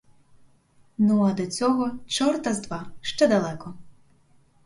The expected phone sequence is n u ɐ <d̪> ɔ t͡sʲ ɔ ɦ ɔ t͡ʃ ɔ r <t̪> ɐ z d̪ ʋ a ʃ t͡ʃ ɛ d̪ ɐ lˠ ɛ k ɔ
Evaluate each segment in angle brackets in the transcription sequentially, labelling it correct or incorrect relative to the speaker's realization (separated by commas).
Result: correct, correct